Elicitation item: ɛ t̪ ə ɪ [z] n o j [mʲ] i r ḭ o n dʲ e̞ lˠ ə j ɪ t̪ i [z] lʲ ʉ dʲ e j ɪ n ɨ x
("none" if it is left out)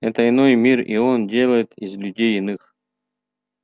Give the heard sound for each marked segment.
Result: none, mʲ, z

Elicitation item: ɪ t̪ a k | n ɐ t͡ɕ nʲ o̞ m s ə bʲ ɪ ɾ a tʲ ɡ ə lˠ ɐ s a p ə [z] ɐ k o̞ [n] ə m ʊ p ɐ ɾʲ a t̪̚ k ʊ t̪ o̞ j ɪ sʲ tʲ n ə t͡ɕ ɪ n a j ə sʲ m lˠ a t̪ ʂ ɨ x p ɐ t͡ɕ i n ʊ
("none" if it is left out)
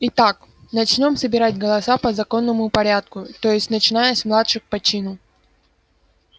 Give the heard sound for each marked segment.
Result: z, nː

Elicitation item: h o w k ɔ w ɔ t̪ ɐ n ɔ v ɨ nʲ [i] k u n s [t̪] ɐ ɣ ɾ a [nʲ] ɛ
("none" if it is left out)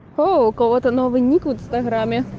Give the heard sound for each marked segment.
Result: i, t̪, mʲ

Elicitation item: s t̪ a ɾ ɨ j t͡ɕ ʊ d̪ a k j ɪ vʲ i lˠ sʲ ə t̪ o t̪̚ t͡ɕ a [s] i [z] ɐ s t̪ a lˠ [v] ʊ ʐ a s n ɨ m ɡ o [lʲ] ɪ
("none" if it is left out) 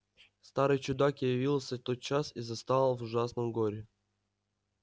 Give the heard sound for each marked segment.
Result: s, z, v, ɾʲ

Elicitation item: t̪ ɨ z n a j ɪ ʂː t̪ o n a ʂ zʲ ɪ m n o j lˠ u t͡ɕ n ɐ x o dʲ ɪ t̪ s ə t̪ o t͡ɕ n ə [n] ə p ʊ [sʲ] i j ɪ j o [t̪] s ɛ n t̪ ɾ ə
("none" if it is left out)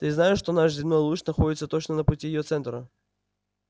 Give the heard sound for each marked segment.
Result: n, tʲ, t̪

